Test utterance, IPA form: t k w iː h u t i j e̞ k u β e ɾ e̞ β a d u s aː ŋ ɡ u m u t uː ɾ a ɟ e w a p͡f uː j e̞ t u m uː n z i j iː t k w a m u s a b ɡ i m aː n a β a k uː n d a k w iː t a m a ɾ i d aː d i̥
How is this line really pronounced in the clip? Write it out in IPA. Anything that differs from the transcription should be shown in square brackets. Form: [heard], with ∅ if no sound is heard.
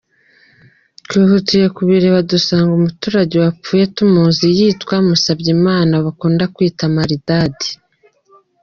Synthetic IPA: t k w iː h u t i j e̞ k u β [i] ɾ e̞ β a d u s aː ŋ ɡ u m u t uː ɾ a ɟ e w a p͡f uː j e̞ t u m uː n z i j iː t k w a m u s a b [ɟ] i m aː n a β a k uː n d a k w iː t a m a ɾ i d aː d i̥